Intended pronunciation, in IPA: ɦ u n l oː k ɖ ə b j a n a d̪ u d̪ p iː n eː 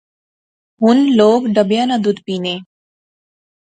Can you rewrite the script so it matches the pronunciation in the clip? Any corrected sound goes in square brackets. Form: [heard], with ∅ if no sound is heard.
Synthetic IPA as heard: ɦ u n l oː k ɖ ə b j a n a d̪ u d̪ p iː n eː